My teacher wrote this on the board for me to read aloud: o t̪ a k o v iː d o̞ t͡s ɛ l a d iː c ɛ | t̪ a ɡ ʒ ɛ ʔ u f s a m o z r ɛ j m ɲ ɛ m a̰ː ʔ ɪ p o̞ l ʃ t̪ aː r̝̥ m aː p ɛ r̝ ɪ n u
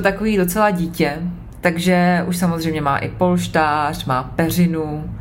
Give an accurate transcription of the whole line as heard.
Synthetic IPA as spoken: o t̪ a k o v iː d o̞ t͡s ɛ l a ɟ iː c ɛ | t̪ a ɡ ʒ ɛ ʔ u ʃ s a m o z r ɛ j m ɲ ɛ m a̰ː ʔ ɪ p o̞ l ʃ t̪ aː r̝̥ m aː p ɛ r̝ ɪ n u